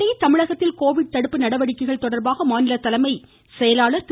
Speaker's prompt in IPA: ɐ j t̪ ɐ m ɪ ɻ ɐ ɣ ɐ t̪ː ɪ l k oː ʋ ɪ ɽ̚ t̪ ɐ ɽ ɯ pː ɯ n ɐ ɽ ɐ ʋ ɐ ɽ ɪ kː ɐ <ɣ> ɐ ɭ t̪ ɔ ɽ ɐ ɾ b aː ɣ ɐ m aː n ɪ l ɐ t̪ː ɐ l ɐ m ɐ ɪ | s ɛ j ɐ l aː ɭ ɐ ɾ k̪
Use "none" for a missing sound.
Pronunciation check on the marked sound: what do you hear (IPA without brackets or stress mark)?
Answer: ɣ